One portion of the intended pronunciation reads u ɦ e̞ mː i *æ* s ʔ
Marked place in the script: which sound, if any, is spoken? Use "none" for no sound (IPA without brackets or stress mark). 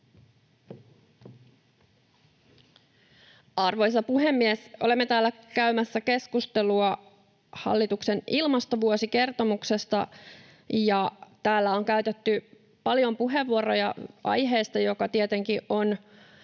e